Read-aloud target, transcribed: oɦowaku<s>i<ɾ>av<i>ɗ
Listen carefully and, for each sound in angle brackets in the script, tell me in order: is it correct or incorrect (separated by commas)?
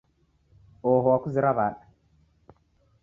incorrect, correct, incorrect